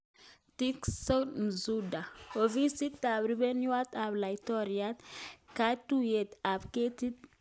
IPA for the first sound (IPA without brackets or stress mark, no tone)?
t